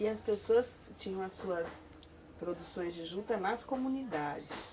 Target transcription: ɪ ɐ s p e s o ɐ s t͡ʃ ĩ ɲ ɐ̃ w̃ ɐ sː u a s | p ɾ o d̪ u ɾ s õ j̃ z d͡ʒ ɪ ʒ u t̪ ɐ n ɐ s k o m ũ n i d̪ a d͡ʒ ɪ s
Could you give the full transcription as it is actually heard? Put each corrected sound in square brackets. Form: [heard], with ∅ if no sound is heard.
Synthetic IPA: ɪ ɐ s p e s o ɐ s t͡ʃ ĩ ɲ ɐ̃ w̃ ɐ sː u [ɐ] s | p ɾ o d̪ u [∅] s õ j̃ z d͡ʒ ɪ ʒ u t̪ ɐ n ɐ s k o m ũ n i d̪ a d͡ʒ ɪ s